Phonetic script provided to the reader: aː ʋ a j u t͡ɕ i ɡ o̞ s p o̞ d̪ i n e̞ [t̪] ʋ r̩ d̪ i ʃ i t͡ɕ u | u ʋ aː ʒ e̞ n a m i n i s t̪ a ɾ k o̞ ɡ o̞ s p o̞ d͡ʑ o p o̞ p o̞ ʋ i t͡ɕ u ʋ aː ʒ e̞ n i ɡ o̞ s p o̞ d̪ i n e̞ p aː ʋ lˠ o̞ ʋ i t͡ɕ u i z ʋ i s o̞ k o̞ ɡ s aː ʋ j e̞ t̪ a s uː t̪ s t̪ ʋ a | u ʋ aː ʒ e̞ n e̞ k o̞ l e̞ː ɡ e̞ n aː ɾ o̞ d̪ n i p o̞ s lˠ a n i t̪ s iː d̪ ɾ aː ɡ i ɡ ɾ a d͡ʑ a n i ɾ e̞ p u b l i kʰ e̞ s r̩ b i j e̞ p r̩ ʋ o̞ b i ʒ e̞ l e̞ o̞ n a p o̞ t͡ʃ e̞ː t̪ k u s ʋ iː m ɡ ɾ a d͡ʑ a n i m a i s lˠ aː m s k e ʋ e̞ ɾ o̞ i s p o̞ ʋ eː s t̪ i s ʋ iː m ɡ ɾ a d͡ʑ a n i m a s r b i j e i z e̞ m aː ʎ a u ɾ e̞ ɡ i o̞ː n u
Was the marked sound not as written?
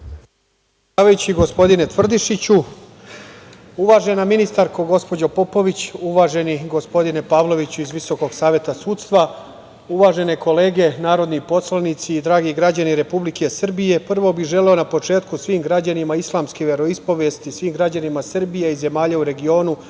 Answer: no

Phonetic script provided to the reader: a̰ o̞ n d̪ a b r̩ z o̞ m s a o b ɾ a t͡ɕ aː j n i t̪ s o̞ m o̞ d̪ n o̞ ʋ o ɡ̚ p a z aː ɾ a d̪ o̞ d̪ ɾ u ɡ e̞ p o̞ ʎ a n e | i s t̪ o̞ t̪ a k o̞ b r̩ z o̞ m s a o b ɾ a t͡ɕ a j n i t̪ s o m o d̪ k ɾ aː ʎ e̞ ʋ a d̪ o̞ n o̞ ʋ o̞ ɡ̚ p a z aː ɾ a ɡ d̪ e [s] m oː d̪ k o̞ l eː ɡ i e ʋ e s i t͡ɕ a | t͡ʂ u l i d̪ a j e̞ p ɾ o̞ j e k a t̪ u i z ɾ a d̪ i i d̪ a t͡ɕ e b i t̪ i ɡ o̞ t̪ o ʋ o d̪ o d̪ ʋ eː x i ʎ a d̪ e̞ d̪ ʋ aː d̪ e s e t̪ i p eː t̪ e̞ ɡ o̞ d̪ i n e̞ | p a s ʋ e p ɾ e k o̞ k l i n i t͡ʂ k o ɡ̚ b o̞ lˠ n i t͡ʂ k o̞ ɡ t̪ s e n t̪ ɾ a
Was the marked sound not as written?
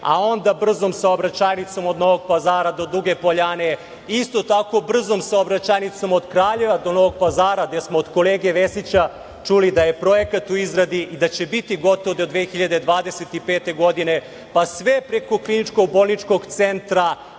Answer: no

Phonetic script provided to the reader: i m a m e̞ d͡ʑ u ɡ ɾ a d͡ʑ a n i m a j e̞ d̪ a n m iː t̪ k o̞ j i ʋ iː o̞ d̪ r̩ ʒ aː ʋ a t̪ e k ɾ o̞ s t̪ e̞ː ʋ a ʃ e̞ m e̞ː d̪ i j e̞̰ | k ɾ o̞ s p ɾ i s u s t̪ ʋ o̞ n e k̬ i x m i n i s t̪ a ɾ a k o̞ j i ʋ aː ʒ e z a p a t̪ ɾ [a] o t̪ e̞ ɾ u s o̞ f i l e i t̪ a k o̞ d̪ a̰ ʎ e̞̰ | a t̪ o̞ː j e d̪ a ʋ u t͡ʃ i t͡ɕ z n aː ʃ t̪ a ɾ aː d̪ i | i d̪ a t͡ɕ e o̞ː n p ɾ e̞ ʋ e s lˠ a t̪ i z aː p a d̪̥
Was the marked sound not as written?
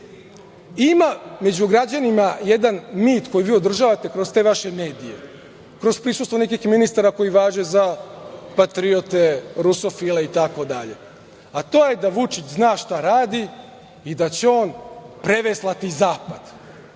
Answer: yes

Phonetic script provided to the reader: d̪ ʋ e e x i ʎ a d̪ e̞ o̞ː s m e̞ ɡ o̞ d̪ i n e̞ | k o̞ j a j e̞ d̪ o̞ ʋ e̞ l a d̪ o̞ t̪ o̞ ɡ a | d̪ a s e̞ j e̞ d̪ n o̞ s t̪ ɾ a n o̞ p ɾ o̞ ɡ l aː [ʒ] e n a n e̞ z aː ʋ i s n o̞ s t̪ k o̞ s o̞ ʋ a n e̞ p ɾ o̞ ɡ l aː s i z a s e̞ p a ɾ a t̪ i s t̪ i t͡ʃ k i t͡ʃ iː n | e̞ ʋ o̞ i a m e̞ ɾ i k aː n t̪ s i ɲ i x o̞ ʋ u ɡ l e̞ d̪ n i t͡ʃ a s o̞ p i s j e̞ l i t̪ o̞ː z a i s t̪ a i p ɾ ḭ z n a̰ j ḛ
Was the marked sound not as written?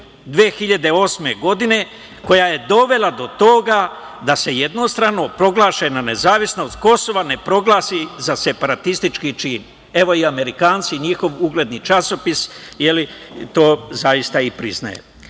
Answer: yes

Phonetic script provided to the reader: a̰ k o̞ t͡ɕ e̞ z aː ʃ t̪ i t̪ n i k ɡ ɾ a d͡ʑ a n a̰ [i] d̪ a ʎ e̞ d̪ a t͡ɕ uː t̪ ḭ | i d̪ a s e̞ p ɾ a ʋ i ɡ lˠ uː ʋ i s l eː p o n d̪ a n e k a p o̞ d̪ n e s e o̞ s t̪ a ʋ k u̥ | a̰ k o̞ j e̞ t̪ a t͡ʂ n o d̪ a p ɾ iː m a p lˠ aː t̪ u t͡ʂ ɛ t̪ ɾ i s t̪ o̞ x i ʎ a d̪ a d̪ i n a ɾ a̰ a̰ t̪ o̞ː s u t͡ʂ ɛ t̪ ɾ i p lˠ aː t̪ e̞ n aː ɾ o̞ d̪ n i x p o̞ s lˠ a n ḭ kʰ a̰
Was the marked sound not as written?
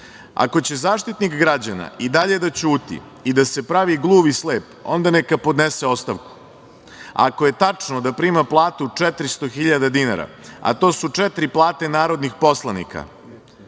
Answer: no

